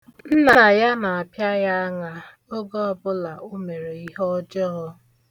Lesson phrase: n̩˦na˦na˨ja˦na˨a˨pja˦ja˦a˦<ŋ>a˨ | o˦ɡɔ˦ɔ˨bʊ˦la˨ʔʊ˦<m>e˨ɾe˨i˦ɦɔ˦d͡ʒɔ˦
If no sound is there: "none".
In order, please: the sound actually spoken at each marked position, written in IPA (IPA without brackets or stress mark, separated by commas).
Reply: ŋ, m